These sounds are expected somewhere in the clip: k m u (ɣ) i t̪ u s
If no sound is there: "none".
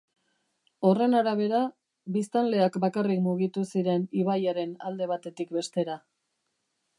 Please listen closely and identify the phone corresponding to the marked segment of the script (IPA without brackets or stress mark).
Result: ɣ